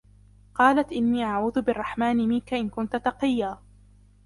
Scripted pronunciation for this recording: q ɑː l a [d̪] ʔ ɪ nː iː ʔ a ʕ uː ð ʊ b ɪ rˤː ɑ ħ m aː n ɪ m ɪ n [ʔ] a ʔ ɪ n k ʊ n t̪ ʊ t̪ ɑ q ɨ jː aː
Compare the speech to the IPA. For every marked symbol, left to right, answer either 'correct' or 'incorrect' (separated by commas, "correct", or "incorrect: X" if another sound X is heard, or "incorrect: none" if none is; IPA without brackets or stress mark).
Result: incorrect: t̪, incorrect: k